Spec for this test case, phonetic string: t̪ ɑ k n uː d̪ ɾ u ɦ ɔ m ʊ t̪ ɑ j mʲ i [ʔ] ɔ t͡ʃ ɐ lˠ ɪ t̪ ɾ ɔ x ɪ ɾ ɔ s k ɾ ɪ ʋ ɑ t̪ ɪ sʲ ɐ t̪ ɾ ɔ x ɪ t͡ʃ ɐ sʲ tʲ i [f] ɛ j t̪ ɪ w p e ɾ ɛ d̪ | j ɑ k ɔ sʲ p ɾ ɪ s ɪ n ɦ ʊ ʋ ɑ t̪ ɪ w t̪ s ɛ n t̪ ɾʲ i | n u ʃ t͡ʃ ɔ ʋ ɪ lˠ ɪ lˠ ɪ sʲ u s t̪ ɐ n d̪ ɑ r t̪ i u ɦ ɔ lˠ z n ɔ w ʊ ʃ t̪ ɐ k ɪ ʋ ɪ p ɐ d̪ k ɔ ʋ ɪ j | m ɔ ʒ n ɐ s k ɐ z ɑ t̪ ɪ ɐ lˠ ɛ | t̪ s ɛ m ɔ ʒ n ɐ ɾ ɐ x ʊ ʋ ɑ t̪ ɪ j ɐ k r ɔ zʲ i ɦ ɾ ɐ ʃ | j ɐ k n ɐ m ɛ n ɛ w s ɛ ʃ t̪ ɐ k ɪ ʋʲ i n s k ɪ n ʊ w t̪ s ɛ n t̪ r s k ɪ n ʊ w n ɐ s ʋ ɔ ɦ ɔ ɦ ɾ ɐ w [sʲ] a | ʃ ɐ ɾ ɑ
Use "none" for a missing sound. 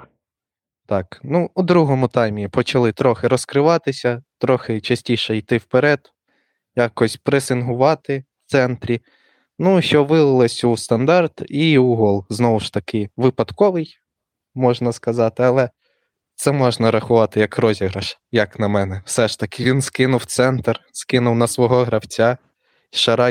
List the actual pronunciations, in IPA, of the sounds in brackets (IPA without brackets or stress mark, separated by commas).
p, ʃ, t͡sʲ